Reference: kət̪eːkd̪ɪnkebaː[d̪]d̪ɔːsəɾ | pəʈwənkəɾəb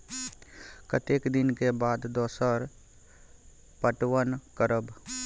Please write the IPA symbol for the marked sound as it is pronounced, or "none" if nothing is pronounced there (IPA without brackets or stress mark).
d̪